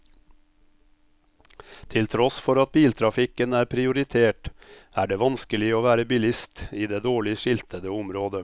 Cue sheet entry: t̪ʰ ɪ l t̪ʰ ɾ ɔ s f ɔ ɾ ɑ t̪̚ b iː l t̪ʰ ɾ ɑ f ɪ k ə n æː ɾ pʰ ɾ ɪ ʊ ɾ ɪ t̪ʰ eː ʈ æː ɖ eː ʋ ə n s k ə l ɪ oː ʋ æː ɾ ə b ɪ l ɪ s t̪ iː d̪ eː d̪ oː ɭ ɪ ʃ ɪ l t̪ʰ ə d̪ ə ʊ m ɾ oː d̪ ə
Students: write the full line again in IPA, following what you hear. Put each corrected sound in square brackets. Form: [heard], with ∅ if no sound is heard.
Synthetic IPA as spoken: t̪ʰ ɪ l t̪ʰ ɾ ɔ s f ɔ ɾ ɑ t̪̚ b iː l t̪ʰ ɾ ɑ f ɪ k ə n æː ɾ pʰ ɾ ɪ ʊ ɾ ɪ t̪ʰ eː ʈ æː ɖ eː ʋ [ɑ] n s k ə l ɪ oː ʋ æː ɾ ə b ɪ l ɪ s t̪ iː d̪ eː d̪ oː ɭ ɪ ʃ ɪ l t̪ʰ ə d̪ ə ʊ m ɾ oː d̪ ə